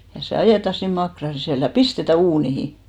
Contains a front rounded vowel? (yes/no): no